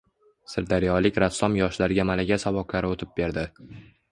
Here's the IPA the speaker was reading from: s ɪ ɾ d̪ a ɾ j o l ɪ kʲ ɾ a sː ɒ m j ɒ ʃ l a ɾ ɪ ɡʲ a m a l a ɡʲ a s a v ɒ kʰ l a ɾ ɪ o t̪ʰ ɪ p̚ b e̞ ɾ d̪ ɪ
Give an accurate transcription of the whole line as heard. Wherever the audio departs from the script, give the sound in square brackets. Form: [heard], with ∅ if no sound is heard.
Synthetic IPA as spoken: s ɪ ɾ d̪ a ɾ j [ɒ] l ɪ kʲ ɾ a sː ɒ m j ɒ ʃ l a ɾ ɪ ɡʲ a m a l a ɡʲ a s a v ɒ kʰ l a ɾ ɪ o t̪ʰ ɪ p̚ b e̞ ɾ d̪ ɪ